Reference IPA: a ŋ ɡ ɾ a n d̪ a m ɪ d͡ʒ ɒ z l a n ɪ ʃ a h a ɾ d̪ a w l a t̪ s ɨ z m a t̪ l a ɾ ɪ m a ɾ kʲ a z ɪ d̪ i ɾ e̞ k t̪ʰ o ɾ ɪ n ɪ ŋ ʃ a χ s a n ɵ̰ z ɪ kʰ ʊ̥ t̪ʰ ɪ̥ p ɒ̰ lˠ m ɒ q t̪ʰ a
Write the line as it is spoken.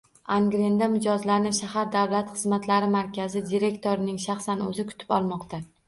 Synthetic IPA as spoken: a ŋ ɡ ɾ e n d̪ a m ɪ d͡ʒ ɒ z l a n ɪ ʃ a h a ɾ d̪ a w l a t̪ χ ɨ z m a t̪ l a ɾ ɪ m a ɾ kʲ a z ɪ d̪ i ɾ e̞ k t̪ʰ o ɾ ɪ n ɪ ŋ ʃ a χ s a n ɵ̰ z ɪ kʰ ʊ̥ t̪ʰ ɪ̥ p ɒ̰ lˠ m ɒ q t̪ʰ a

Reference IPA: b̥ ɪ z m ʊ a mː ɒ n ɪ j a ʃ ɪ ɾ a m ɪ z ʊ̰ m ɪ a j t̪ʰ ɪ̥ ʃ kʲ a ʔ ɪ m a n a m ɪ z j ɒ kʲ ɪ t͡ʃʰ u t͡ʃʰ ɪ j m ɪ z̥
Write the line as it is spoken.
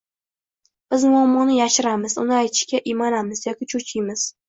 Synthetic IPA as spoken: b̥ ɪ z m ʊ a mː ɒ n ɪ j a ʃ ɪ ɾ a m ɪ z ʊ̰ n ɪ a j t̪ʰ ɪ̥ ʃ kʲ a ʔ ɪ m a n a m ɪ z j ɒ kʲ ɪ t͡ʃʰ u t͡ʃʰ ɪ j m ɪ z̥

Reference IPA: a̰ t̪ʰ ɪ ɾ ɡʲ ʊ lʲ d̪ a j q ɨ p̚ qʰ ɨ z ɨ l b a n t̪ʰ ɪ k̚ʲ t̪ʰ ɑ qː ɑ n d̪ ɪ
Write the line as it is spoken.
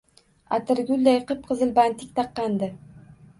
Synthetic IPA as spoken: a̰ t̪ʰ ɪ ɾ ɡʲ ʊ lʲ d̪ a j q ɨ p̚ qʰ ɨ z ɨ l b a n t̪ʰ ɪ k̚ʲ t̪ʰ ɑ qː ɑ n d̪ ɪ

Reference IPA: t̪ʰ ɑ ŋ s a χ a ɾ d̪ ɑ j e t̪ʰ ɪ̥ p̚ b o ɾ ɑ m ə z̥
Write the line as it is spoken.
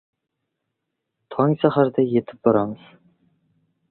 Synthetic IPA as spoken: t̪ʰ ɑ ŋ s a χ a ɾ d̪ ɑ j e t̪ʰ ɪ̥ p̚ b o ɾ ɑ m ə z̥

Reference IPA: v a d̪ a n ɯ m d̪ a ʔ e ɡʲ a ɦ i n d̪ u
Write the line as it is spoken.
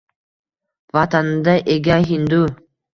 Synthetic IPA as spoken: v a t̪ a n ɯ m d̪ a ʔ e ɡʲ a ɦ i n d̪ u

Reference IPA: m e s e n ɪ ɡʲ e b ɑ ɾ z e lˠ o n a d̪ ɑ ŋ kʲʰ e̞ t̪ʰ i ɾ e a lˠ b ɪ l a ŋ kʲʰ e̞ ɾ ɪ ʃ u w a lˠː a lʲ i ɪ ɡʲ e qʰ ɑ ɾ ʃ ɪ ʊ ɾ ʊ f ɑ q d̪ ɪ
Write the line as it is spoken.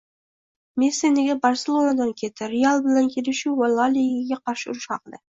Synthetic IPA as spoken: m e s e n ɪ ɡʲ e b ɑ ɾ s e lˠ o n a d̪ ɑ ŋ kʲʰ e̞ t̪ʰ ɪ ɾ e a lˠ b ɪ l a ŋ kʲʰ e̞ l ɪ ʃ u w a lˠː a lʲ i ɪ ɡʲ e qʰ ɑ ɾ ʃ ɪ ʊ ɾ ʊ ʃ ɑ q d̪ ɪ

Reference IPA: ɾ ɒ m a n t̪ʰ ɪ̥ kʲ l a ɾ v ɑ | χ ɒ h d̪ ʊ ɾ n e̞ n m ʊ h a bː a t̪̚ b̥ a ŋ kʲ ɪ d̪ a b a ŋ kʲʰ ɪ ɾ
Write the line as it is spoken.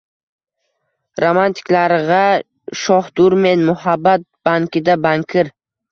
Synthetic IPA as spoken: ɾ o m a n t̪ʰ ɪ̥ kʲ l a ɾ ʁ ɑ | ʃ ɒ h d̪ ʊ ɾ m e̞ n m ʊ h a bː a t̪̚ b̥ a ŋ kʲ ɪ d̪ a b a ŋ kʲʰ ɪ ɾ

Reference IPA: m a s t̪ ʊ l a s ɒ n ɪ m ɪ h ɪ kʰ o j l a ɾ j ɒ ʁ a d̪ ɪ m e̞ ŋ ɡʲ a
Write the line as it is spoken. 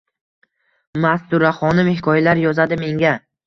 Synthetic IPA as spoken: m a s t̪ ʊ ɾ a χ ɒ n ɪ m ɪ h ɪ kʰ ɒ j l a ɾ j ɒ z a d̪ ɪ m e̞ ŋ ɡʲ a

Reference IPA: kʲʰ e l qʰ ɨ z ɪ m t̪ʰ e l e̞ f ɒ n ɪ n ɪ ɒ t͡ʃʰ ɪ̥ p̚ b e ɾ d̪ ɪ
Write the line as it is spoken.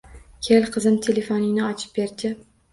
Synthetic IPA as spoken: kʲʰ e l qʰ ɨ z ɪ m t̪ʰ e l e̞ f o n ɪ n ɪ ɒ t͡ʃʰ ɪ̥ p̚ b e ɾ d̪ ɪ

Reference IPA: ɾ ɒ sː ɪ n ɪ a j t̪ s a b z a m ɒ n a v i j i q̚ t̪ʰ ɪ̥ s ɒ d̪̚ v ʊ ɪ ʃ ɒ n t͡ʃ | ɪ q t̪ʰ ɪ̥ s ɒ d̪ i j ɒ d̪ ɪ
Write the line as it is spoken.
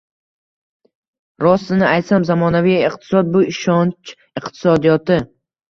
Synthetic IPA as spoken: ɾ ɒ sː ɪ n ɪ a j t̪ s a m z a m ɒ n a v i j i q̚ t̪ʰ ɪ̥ s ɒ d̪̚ b ʊ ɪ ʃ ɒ n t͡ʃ | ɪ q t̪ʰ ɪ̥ s ɒ d̪ i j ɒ t̪ ɪ

